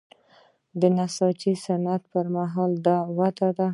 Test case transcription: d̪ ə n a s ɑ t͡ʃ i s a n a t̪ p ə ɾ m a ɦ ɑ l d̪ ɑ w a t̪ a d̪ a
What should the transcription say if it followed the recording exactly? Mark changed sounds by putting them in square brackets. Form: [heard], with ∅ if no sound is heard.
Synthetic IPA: d̪ ə n a s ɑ t͡ʃ i s a n a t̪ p ə ɾ m a ɦ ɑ l d̪ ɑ w a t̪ a d̪ a